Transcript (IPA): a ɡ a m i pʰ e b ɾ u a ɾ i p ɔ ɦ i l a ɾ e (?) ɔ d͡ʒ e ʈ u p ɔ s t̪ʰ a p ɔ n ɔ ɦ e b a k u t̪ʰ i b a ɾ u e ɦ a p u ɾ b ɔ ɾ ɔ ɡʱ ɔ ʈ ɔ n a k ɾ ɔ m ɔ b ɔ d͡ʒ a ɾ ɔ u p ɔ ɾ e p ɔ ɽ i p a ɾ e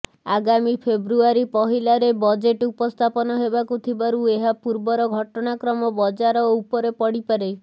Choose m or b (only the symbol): b